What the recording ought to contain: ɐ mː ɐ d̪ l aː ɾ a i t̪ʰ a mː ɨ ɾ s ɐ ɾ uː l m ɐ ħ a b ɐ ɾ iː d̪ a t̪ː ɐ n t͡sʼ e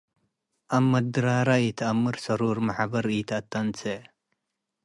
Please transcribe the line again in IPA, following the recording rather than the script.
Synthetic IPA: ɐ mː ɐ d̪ ɾ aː ɾ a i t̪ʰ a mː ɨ ɾ s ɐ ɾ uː ɾ m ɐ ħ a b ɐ ɾ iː t̪ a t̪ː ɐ n t͡s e